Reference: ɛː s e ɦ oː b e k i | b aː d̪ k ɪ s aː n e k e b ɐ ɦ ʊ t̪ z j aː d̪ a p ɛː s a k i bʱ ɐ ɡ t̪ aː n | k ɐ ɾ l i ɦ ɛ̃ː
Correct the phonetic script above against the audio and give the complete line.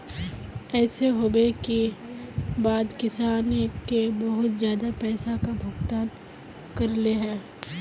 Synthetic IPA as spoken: ɛː s e ɦ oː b e k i | b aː d̪ k ɪ s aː n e k e b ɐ ɦ ʊ t̪ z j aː d̪ a p ɛː s a k a bʱ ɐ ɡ t̪ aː n | k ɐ ɾ l e ɦ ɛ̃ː